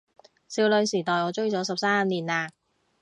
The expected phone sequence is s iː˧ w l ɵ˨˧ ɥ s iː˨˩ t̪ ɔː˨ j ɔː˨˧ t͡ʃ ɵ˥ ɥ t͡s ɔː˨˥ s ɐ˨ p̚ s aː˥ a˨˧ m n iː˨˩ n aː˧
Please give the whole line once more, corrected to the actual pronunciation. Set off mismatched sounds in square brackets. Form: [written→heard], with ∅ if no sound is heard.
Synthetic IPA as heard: s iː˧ w l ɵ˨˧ ɥ s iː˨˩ t̪ ɔː˨ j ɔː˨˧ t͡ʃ ɵ˥ ɥ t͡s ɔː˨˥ s ɐ˨ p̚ s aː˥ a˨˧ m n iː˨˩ n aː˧